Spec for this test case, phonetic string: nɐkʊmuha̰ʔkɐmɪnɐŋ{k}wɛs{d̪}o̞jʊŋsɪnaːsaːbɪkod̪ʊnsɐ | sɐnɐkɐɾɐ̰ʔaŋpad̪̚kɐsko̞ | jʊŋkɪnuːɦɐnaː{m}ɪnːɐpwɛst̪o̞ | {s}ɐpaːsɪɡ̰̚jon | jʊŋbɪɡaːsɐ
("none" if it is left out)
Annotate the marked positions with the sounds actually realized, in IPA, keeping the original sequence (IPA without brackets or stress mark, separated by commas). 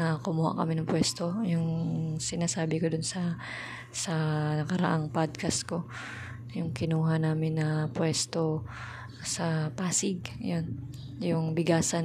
p, t̪, m, s